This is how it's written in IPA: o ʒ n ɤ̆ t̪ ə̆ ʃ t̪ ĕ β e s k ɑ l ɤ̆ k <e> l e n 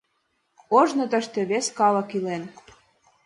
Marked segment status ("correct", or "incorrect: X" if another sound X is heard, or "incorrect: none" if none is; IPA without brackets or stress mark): incorrect: i